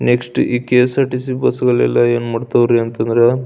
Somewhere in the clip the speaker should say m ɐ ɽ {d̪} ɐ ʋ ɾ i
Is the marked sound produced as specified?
no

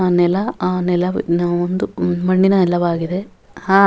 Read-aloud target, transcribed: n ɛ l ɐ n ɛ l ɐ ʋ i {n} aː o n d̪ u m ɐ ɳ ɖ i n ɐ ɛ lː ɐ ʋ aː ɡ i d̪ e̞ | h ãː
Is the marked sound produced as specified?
yes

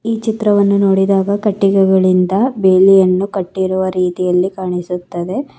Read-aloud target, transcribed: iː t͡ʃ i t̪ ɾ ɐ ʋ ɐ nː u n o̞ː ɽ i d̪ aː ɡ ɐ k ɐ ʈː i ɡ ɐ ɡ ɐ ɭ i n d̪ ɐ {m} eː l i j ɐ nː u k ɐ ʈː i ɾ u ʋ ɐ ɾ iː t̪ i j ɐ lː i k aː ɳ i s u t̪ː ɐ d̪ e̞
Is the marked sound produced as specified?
no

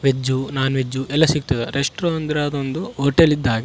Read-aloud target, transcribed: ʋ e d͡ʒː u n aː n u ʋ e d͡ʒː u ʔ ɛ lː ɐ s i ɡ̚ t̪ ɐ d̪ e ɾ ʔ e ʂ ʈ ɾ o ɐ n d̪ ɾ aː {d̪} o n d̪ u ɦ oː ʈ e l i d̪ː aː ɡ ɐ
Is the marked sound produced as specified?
yes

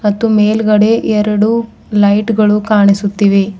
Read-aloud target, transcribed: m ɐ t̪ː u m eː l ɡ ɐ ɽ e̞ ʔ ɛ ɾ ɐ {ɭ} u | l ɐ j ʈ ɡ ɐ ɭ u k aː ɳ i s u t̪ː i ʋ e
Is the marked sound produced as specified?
no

